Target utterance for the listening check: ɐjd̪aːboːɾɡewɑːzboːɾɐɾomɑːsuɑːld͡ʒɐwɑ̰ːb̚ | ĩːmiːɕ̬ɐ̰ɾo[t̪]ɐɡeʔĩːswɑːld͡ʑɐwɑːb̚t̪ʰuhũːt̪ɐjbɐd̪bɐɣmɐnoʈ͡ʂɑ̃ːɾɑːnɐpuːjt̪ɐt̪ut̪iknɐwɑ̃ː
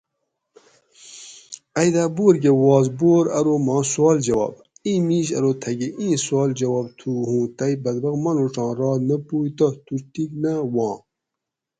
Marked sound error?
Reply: yes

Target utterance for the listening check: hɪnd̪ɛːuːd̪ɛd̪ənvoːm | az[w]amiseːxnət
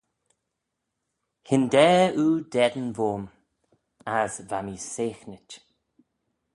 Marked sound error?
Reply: yes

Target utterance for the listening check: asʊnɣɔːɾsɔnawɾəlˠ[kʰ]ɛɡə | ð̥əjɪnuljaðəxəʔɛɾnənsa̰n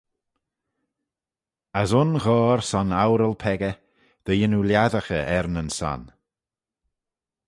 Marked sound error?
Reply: yes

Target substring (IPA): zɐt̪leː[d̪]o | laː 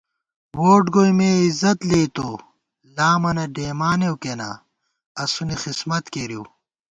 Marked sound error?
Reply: yes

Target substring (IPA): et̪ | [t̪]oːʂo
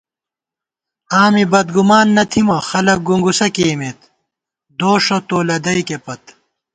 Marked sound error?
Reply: yes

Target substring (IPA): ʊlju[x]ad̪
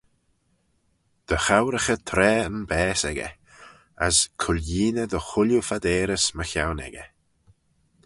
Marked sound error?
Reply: yes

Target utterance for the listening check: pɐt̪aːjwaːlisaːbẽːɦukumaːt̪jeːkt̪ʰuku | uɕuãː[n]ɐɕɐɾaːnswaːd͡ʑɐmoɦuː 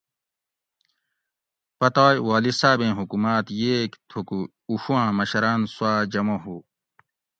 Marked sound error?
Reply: yes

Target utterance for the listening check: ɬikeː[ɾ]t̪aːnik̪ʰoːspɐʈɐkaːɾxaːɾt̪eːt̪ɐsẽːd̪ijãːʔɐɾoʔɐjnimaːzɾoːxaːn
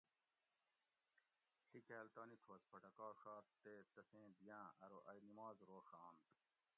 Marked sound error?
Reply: yes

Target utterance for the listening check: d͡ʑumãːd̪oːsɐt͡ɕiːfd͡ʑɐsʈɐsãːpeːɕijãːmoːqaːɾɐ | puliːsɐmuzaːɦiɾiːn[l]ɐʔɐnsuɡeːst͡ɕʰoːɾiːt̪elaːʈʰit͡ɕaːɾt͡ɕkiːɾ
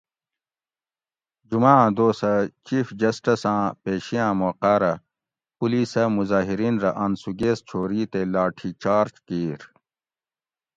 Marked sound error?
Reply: yes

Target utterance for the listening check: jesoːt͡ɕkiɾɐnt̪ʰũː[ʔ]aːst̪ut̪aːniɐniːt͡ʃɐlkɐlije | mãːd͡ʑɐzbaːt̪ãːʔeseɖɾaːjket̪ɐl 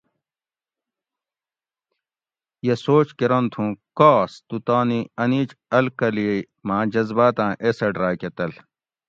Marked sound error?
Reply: yes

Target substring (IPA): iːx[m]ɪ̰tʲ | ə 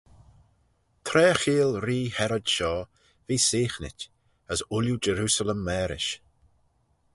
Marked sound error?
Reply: yes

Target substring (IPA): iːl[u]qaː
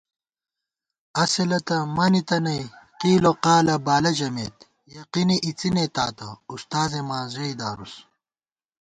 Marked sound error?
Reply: yes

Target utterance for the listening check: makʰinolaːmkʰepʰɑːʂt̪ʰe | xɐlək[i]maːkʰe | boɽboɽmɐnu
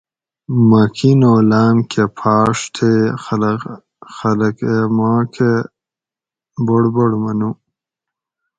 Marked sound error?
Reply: yes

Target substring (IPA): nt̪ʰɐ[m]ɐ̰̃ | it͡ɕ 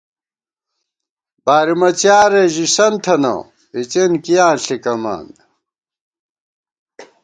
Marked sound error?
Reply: yes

